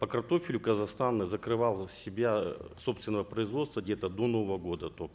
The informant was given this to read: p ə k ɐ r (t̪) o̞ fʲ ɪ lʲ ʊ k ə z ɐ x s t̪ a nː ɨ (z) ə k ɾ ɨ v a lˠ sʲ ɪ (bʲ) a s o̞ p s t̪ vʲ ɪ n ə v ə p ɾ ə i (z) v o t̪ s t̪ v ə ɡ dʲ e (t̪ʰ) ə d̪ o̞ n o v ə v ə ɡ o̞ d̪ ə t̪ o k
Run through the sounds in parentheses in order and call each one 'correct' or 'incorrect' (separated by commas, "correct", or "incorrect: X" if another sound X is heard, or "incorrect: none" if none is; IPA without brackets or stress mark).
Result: correct, correct, correct, correct, incorrect: t̪